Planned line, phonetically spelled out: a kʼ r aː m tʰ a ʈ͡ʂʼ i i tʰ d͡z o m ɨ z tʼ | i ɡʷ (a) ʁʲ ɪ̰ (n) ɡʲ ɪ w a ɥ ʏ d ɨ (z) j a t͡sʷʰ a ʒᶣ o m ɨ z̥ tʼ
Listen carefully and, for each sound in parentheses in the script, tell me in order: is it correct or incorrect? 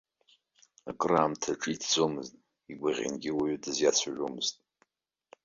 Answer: correct, correct, correct

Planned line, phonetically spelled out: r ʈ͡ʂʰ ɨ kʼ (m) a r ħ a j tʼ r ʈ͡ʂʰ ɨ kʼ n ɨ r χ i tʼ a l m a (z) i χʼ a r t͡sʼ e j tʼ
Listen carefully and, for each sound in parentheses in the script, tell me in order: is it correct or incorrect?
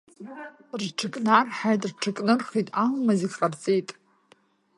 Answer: incorrect: n, correct

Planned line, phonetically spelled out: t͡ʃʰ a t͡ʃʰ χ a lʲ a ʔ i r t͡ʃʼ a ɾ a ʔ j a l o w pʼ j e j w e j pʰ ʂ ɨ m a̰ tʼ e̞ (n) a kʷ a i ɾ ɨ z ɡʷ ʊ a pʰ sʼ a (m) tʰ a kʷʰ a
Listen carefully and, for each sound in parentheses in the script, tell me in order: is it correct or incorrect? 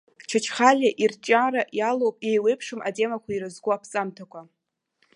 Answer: incorrect: m, correct

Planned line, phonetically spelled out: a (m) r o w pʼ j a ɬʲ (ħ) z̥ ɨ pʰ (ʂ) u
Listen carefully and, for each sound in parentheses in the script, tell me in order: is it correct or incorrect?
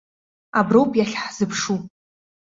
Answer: incorrect: b, correct, correct

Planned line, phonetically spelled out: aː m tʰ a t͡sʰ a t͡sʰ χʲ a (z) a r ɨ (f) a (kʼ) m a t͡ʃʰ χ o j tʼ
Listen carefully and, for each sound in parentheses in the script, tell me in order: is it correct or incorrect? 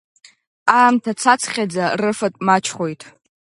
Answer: incorrect: d͡z, correct, incorrect: tʼ

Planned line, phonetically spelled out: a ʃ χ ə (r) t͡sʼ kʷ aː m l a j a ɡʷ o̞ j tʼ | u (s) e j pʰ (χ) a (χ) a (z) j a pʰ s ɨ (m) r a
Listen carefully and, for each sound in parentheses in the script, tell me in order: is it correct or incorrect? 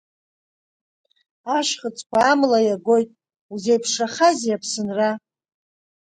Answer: incorrect: none, incorrect: z, incorrect: ʂ, correct, correct, incorrect: n

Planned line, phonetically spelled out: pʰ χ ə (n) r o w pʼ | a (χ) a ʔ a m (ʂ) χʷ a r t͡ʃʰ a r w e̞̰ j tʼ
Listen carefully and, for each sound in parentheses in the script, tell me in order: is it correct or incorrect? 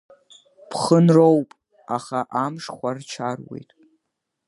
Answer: correct, correct, correct

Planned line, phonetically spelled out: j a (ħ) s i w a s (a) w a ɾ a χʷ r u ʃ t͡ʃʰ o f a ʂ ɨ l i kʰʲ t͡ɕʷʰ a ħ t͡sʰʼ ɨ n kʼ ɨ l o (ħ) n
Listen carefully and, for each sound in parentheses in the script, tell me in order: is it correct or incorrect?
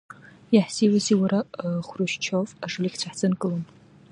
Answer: correct, incorrect: i, incorrect: none

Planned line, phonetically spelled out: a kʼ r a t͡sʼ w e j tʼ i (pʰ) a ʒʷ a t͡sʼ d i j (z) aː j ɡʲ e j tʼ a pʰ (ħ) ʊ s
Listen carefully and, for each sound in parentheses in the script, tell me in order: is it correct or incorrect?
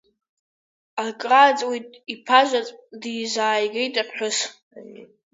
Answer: correct, correct, correct

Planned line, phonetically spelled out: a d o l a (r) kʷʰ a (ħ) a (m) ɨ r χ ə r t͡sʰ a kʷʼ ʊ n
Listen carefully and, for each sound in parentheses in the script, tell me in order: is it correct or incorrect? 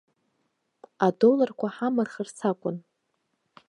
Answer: correct, correct, correct

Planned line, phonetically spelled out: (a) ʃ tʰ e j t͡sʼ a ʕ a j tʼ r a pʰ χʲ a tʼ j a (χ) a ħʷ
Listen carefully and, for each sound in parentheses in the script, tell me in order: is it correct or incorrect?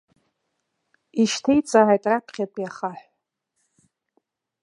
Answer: incorrect: i, correct

